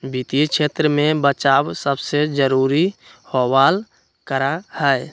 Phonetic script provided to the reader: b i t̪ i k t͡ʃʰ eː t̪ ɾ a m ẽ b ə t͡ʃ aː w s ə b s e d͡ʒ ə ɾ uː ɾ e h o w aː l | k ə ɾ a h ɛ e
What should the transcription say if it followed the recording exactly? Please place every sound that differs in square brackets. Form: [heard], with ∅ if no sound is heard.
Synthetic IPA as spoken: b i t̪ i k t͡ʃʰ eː t̪ ɾ [ə] m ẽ b ə t͡ʃ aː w s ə b s e d͡ʒ ə ɾ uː ɾ [i] h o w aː l | k ə ɾ a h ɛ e